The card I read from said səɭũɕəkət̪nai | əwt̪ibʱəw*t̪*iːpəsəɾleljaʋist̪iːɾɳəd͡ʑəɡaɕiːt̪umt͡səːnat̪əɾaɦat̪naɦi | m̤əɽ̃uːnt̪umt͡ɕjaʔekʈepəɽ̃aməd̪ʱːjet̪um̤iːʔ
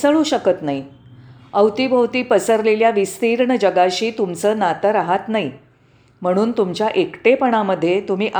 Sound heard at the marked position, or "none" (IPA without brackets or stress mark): t̪